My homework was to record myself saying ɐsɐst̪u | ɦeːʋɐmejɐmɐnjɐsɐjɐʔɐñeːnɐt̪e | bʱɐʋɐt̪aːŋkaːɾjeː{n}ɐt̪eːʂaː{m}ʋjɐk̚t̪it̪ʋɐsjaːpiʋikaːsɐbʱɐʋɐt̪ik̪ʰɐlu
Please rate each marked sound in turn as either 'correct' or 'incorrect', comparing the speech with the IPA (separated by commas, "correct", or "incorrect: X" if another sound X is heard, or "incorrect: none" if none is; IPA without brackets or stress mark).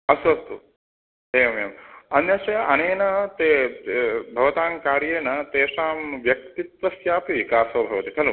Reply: correct, correct